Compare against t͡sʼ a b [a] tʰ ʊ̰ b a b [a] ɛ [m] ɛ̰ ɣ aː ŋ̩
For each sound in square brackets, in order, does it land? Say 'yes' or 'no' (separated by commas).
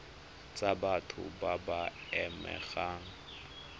yes, yes, yes